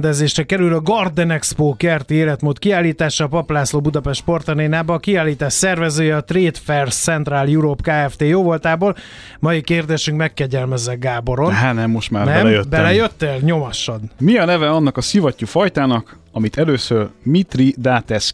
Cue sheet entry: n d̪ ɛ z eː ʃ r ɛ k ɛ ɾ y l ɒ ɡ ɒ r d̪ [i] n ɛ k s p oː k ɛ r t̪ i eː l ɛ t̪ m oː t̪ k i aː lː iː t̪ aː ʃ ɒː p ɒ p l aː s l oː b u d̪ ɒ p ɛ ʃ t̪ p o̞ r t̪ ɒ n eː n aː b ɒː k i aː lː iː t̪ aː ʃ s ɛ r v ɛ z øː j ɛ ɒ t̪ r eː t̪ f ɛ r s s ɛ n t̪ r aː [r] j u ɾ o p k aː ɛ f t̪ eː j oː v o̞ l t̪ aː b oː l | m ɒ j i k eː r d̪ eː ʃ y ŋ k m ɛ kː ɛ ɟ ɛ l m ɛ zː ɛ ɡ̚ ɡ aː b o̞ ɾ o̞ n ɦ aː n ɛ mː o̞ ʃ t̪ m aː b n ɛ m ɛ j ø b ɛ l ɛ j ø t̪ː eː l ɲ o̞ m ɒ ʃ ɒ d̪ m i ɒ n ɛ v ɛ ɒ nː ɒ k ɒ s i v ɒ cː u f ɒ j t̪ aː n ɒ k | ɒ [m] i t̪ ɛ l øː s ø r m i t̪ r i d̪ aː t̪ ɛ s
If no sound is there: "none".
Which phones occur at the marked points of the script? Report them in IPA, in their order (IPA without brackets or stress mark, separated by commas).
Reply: ɛ, l, m